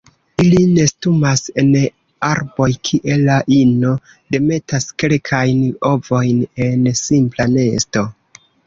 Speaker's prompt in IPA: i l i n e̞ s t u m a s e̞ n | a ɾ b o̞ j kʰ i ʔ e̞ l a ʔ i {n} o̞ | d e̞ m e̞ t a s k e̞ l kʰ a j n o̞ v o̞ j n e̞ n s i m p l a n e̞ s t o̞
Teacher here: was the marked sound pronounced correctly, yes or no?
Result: yes